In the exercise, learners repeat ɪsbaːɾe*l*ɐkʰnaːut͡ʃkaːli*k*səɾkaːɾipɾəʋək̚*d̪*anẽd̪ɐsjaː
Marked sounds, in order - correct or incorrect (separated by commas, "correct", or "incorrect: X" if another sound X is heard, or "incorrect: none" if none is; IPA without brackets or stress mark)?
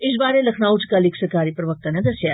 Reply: correct, correct, incorrect: t̪